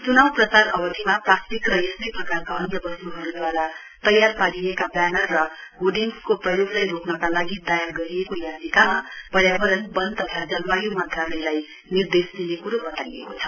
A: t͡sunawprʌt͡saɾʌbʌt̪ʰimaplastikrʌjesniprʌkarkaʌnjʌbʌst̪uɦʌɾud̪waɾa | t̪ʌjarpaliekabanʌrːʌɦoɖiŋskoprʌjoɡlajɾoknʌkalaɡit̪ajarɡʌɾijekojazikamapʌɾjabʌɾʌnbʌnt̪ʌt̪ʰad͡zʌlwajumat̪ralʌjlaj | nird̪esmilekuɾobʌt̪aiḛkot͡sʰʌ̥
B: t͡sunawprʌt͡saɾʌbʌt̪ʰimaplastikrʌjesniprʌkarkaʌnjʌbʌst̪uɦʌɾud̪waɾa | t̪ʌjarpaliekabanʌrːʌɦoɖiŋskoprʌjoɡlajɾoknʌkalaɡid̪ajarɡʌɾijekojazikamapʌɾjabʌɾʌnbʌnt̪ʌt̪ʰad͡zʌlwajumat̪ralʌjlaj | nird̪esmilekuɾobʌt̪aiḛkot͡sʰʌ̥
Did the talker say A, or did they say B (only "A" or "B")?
B